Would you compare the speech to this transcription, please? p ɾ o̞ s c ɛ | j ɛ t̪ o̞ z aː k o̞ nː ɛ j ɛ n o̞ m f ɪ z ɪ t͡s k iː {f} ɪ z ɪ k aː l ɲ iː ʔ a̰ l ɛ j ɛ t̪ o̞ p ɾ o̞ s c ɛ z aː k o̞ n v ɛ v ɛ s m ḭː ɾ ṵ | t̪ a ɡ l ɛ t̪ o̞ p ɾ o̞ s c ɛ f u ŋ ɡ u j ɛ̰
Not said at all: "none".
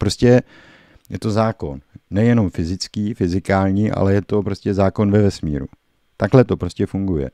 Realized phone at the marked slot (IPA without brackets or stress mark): f